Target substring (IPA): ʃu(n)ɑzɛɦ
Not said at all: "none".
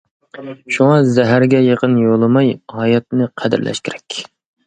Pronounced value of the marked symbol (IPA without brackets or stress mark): ŋ